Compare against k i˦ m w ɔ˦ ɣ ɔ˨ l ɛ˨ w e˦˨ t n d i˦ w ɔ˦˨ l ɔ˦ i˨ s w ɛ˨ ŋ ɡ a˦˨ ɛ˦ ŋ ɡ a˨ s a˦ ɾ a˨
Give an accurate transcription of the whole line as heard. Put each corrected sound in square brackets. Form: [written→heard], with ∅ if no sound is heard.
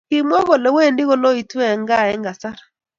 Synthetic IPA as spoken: k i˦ m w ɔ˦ ɣ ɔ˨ l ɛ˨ w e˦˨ [t→∅] n d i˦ [w→ɣ] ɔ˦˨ l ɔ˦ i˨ [s→t] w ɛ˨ ŋ ɡ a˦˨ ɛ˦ ŋ ɡ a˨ s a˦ ɾ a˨

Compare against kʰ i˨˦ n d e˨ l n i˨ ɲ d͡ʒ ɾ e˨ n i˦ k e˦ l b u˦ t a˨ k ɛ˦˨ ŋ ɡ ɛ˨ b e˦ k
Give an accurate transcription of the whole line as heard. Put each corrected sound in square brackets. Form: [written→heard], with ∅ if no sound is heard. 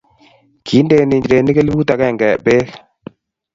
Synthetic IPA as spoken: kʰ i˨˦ n d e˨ [l→∅] n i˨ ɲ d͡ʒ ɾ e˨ n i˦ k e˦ l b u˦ t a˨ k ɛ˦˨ ŋ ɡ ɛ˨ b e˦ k

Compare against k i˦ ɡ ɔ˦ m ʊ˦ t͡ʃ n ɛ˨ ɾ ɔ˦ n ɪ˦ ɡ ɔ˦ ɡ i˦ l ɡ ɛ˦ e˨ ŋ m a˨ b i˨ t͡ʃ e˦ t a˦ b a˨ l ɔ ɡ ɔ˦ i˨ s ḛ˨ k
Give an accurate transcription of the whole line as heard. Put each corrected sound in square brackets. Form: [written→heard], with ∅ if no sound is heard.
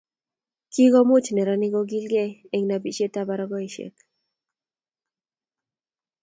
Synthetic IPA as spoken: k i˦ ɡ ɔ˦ m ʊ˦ t͡ʃ n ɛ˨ ɾ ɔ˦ n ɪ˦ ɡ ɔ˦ ɡ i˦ l ɡ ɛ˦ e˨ ŋ [m→n] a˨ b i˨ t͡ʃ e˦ t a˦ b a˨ [l→ɾ] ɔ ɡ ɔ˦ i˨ [s→ʃ] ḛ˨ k

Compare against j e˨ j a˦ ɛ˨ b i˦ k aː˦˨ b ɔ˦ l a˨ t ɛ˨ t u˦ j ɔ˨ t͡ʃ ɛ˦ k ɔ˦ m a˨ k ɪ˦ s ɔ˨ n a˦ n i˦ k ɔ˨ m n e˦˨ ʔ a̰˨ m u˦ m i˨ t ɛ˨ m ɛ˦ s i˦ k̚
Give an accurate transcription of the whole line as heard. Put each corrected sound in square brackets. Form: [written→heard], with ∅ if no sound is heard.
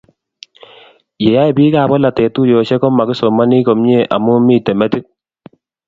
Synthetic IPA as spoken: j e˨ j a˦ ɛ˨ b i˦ k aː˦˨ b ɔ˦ l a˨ t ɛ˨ t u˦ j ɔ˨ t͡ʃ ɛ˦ k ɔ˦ m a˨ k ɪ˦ s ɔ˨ [n→m] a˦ n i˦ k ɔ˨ m [n→ɲ] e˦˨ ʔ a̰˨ m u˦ m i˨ t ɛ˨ m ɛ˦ [s→t] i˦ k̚

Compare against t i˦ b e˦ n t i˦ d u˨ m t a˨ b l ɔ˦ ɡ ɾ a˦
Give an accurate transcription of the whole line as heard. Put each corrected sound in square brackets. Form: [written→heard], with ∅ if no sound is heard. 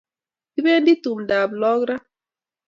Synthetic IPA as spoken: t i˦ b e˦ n [t→d] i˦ [d→t] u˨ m [t→d] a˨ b l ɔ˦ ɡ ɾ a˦

